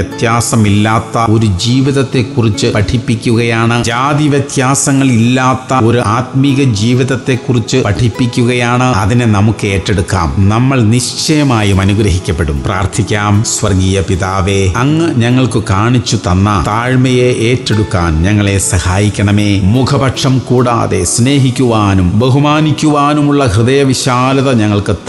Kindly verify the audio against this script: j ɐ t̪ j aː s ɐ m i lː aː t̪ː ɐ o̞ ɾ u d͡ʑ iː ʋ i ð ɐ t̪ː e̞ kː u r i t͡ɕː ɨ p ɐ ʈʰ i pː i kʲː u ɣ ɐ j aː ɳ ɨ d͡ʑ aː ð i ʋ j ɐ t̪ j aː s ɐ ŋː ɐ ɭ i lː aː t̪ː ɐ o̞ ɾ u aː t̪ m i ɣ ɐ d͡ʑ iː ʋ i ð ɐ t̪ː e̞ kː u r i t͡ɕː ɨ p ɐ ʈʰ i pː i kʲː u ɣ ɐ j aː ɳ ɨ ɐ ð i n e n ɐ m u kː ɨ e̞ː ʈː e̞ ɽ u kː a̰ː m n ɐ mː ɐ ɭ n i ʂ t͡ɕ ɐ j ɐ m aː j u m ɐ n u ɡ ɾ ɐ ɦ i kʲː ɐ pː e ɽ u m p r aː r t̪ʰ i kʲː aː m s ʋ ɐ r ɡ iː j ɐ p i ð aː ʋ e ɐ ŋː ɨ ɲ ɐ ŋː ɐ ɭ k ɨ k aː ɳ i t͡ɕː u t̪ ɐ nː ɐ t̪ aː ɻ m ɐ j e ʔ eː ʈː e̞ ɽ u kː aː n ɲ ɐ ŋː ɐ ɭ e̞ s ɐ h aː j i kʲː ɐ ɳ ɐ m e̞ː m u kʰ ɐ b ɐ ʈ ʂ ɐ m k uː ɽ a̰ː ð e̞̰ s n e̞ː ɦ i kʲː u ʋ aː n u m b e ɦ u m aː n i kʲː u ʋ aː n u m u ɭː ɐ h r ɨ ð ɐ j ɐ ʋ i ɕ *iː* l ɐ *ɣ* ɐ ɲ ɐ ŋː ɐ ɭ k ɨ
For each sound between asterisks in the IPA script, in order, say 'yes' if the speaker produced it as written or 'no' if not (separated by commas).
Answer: no, no